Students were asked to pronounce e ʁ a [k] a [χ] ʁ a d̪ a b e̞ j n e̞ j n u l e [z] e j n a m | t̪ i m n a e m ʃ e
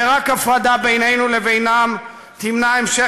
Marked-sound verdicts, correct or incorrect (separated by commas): correct, incorrect, incorrect